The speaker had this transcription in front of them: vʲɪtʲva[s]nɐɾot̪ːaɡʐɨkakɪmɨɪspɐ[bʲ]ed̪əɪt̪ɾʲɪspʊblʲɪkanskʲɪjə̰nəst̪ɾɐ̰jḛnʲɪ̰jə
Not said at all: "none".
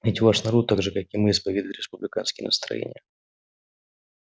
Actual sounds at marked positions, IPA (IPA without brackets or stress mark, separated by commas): ʂ, vʲ